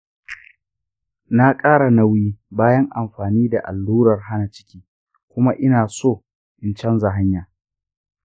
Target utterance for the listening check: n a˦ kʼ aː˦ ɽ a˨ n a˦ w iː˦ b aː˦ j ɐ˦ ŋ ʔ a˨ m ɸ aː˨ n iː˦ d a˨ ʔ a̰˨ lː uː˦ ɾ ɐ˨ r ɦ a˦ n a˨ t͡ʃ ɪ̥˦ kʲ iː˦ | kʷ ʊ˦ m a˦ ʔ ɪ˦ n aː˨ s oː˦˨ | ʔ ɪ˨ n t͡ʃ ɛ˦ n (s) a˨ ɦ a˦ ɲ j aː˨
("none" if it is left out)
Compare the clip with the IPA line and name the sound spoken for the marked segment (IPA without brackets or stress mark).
z